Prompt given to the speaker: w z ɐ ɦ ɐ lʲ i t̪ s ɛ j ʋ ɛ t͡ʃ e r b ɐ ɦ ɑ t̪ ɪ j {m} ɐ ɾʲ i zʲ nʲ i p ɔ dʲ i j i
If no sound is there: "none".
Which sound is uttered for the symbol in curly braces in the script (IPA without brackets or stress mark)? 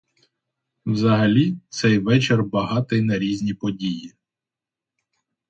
n